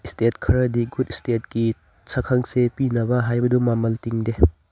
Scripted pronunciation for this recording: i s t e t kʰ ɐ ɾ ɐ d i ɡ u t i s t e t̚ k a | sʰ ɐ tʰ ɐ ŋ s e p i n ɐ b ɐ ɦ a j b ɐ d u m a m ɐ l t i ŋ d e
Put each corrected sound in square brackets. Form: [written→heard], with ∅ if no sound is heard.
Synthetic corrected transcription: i s t e t kʰ ɐ ɾ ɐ d i ɡ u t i s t e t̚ k [a→i] | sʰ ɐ [tʰ→kʰ] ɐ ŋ s e p i n ɐ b ɐ ɦ a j b ɐ d u m a m ɐ l t i ŋ d e